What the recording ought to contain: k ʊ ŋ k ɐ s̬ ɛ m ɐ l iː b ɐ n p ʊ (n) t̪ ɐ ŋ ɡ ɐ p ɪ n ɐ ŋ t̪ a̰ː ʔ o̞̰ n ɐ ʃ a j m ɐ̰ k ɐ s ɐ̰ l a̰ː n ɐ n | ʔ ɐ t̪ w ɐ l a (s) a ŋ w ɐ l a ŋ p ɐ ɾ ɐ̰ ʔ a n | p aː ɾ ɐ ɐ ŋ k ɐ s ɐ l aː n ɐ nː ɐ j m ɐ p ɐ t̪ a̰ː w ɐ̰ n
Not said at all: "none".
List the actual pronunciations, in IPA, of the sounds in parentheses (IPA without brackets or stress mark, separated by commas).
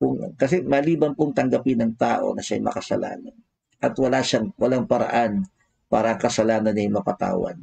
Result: ŋ, ʃ